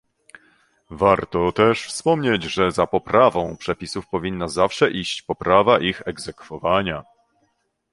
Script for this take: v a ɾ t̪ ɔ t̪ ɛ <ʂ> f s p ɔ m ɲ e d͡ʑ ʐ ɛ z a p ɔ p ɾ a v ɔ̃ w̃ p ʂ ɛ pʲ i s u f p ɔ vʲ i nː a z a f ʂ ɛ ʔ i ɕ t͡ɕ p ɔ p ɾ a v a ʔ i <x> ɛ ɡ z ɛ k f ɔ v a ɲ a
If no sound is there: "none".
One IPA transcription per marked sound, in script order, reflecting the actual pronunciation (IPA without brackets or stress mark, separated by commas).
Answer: ʂ, x